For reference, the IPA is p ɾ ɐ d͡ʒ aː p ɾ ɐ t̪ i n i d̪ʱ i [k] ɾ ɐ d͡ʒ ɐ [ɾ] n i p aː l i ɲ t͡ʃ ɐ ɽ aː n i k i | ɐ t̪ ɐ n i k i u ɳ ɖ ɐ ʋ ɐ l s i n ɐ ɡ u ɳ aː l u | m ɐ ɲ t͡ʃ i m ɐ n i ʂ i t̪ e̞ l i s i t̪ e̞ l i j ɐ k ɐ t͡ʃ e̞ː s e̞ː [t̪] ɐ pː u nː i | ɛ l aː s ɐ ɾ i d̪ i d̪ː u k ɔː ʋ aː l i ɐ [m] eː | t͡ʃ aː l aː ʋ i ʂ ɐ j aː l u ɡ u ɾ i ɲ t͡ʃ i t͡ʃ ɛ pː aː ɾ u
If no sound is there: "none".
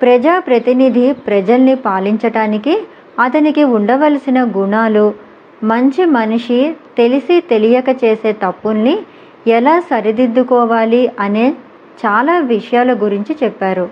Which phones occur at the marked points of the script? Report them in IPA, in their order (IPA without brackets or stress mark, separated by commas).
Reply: p, l, t̪, n